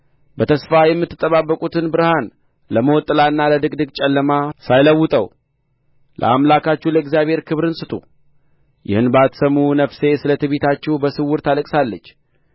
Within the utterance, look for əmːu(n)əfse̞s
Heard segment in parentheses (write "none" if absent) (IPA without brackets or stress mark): n